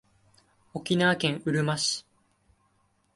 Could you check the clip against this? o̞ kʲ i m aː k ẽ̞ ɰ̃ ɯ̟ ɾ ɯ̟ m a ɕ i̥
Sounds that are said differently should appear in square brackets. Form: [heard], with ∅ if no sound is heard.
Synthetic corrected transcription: o̞ kʲ i [n] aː k ẽ̞ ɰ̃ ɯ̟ ɾ ɯ̟ m a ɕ i̥